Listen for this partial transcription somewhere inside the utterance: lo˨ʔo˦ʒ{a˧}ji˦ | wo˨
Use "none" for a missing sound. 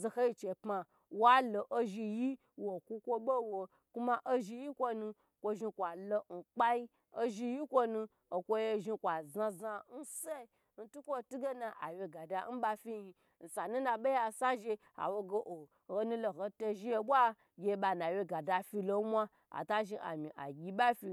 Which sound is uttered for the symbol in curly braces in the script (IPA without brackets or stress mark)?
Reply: i˧